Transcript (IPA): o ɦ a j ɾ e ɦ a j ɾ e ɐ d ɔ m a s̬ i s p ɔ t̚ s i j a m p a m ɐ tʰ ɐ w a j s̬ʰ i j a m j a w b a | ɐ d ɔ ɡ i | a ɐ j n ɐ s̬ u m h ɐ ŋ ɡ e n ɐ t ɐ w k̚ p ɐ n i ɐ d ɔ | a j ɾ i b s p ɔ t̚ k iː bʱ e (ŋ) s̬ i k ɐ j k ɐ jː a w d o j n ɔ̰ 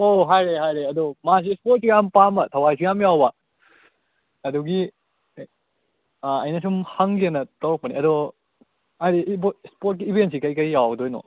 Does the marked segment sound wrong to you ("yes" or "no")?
yes